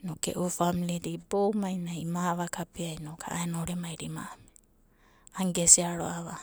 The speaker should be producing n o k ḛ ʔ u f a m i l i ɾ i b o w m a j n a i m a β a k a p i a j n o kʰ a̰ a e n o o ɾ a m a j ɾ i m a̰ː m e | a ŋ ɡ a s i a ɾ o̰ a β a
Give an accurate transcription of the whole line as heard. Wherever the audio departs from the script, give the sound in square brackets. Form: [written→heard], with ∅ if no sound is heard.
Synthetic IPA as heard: n o k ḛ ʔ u f a m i l i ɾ i b o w m a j n a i m a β a k a p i a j n o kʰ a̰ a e n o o ɾ [a→e] m a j ɾ i m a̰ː m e | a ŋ ɡ [a→e] s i a ɾ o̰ a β a